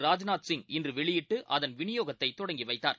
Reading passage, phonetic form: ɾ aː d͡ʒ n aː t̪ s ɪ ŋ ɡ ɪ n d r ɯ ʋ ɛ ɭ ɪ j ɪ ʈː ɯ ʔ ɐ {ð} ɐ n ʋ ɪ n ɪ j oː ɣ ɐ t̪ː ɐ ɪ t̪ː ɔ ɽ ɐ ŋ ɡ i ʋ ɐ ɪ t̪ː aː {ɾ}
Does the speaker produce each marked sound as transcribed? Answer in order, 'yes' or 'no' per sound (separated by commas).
yes, yes